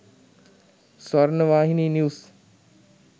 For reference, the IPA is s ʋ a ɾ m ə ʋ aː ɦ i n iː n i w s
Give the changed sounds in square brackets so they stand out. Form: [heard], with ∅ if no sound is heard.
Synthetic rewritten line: s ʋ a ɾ [n] ə ʋ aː ɦ i n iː n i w s